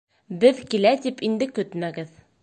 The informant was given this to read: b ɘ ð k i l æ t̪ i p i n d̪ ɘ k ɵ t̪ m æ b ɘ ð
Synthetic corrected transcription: b ɘ ð k i l æ t̪ i p i n d̪ ɘ k ɵ t̪ m æ ɡ ɘ ð